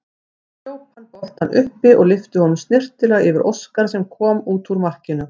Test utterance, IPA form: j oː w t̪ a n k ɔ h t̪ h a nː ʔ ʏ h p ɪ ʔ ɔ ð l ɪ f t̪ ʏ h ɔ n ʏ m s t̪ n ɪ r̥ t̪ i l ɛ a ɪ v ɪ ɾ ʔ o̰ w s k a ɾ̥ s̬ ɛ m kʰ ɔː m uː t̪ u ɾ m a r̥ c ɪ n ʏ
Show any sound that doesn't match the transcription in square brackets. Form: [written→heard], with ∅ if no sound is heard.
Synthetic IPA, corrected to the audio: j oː w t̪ a n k ɔ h t̪ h a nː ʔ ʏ h p ɪ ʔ ɔ [ð→ɣ] l ɪ f t̪ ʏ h ɔ n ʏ m s t̪ n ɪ r̥ t̪ [i→ɪ] l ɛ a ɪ v ɪ ɾ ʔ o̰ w s k a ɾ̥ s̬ ɛ m kʰ ɔː m uː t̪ u ɾ m a r̥ c ɪ n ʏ